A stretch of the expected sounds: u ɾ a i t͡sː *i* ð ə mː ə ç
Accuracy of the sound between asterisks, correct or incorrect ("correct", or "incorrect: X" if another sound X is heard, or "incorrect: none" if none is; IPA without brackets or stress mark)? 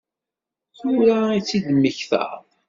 correct